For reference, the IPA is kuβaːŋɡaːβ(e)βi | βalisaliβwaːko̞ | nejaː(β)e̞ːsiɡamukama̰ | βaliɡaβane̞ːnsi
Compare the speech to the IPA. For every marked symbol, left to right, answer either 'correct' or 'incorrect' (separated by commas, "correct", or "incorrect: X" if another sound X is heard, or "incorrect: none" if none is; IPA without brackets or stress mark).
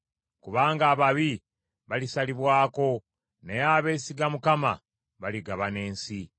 incorrect: a, correct